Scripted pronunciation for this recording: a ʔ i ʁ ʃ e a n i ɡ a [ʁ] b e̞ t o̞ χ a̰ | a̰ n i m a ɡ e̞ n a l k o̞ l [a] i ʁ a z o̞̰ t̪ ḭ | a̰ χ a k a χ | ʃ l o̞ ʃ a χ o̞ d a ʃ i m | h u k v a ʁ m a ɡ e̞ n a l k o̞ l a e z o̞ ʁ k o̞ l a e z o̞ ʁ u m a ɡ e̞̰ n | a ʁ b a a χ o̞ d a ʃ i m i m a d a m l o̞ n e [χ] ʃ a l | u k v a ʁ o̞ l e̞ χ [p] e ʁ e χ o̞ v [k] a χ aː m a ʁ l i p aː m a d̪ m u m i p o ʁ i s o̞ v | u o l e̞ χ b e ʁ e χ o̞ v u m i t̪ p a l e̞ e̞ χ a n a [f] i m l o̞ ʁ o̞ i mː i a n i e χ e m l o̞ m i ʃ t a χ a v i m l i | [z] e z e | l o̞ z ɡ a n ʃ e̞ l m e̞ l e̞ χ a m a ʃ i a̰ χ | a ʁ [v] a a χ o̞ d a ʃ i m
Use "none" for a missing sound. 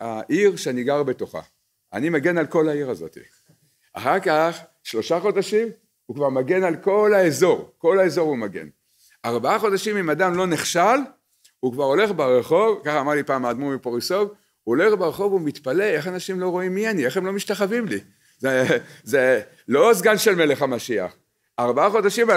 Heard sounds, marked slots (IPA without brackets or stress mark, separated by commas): ʁ, a, χ, b, k, ʃ, z, b